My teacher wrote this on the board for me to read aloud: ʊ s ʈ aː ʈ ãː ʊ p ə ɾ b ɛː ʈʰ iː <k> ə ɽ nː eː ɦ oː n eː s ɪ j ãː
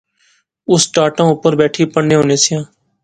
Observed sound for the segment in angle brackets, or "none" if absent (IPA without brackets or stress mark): p